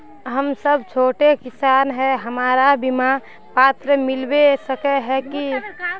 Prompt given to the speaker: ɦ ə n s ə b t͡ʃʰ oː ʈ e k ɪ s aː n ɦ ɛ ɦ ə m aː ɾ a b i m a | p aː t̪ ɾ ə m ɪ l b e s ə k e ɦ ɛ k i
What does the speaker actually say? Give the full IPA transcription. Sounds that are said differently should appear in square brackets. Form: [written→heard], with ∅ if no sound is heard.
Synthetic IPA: ɦ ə [n→m] s ə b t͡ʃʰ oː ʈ e k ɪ s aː n ɦ ɛ ɦ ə m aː ɾ a b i m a | p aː t̪ ɾ ə m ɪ l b e s ə k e ɦ ɛ k i